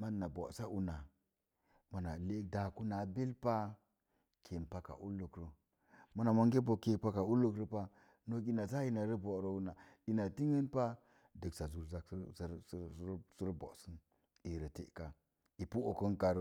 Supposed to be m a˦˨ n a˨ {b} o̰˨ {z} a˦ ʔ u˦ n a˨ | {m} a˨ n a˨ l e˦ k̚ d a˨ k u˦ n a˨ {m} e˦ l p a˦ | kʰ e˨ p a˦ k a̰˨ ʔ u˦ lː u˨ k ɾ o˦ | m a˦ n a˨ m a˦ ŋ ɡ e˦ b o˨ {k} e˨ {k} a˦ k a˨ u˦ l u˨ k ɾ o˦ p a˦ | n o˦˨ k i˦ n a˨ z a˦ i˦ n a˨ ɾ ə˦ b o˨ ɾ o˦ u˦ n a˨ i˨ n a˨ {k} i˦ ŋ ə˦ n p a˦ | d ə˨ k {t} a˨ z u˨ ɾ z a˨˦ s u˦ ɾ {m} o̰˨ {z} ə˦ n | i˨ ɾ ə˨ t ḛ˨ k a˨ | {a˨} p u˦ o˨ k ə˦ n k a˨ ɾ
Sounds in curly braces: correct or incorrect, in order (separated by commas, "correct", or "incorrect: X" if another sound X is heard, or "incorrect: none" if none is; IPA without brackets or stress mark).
correct, incorrect: s, correct, incorrect: b, correct, incorrect: p, incorrect: t, incorrect: s, incorrect: b, incorrect: s, incorrect: i˨